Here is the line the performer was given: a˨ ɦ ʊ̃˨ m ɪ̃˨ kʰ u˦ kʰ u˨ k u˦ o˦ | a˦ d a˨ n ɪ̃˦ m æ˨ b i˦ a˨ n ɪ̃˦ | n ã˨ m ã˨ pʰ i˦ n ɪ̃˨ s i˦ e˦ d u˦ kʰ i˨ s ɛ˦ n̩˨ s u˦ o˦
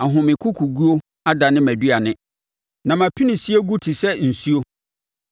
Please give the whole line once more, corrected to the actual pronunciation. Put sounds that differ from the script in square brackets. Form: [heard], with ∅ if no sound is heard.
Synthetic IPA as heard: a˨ ɦ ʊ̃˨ m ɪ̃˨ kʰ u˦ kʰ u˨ [ɡ] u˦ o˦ | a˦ d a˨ n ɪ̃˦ m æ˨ [d] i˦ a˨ n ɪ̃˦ | n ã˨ m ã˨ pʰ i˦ n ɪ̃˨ s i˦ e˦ [ɡ] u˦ [tʰ] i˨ s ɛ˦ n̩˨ s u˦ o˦